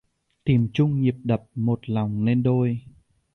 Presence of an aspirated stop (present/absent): absent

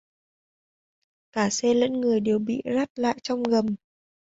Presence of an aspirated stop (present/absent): absent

